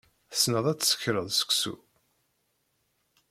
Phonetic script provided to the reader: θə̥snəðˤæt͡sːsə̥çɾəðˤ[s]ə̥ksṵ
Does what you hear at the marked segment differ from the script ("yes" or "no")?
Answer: no